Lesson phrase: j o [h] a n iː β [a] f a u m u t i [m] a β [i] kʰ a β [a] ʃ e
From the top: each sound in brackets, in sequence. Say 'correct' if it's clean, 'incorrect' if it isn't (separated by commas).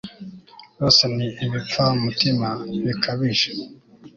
incorrect, incorrect, correct, correct, incorrect